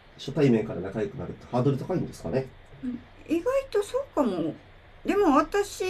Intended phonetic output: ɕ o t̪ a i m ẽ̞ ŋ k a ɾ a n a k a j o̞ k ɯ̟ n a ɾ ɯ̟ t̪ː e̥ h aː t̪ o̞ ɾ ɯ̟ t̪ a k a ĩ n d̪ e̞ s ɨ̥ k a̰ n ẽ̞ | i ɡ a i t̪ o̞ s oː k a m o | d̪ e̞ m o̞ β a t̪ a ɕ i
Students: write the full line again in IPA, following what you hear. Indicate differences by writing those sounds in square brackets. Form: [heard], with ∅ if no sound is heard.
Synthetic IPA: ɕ o t̪ a i m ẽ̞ ŋ k a ɾ a n a k a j o̞ k ɯ̟ n a ɾ ɯ̟ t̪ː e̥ h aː [d̪] o̞ ɾ ɯ̟ t̪ a k a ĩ n d̪ e̞ s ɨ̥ k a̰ n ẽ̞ | i ɡ a i t̪ o̞ s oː k a m o | d̪ e̞ m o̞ β a t̪ a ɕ i